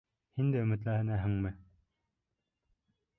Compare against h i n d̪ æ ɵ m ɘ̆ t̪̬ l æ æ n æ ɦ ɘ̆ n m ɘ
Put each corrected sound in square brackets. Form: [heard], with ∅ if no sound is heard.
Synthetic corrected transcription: h i n d̪ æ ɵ m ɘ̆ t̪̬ l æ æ n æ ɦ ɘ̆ [ŋ] m ɘ